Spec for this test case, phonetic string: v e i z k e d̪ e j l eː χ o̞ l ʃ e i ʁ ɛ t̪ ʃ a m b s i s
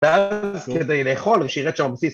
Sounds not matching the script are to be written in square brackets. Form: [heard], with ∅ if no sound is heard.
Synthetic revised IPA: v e [a] z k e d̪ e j l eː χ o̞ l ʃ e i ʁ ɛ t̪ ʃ a m b s i s